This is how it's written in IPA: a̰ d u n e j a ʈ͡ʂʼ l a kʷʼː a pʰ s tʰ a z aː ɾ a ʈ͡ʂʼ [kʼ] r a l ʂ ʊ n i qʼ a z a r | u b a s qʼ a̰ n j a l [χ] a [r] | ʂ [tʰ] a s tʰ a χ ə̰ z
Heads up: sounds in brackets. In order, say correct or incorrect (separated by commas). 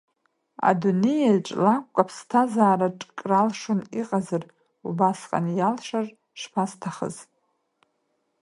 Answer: correct, incorrect, correct, incorrect